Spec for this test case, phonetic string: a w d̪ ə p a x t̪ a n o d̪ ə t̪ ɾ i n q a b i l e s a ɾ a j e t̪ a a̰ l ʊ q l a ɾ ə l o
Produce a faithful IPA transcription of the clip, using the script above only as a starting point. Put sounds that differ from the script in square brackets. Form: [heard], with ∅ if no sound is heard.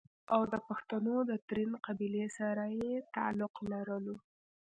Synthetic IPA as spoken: a w d̪ ə p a x t̪ a n o d̪ ə t̪ ɾ i n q a b i l e s a ɾ a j e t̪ a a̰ l ʊ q l a ɾ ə l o